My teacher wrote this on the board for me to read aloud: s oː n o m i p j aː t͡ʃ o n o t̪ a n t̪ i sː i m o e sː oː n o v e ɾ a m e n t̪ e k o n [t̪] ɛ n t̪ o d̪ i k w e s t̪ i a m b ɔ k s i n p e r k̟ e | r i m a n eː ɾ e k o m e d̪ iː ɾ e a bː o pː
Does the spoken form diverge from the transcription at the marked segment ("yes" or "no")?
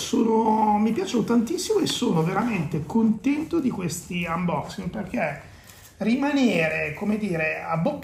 no